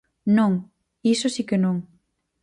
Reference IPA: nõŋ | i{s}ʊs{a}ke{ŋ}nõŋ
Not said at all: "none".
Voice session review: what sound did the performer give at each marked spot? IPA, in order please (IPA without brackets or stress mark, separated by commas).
s, i, none